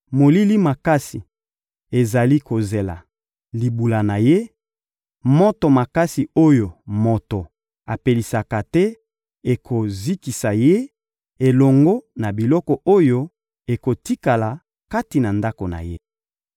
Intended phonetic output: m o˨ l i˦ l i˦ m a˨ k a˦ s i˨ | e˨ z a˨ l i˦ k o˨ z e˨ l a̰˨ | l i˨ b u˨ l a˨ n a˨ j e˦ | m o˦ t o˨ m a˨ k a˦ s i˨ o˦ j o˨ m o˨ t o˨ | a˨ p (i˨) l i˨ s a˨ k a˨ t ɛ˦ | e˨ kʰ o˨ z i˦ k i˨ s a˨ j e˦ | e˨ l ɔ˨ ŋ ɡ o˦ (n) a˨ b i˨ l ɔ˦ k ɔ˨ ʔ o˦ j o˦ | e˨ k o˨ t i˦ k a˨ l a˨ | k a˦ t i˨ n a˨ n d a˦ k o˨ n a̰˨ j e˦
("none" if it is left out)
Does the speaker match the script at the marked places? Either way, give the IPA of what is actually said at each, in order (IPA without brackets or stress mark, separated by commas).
e˨, n